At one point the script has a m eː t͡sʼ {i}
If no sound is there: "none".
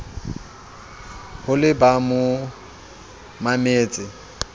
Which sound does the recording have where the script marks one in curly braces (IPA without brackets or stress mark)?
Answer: ɪ